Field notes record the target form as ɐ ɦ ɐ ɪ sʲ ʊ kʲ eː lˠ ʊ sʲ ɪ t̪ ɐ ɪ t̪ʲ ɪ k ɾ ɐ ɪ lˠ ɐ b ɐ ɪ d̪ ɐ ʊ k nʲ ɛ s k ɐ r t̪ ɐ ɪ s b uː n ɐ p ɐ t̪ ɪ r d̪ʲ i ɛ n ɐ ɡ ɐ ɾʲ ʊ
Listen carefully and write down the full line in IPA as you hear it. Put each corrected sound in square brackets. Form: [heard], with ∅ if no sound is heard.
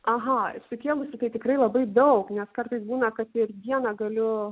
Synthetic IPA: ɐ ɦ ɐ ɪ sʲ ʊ kʲ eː lˠ ʊ sʲ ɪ t̪ ɐ ɪ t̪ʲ ɪ k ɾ ɐ ɪ lˠ ɐ b ɐ ɪ d̪ ɐ ʊ k nʲ ɛ s k ɐ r t̪ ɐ ɪ s b uː n ɐ [k] ɐ t̪ ɪ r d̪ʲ i ɛ n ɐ ɡ ɐ [lʲ] ʊ